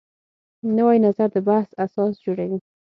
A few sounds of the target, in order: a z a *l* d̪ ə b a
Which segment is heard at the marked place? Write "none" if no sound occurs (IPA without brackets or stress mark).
ɾ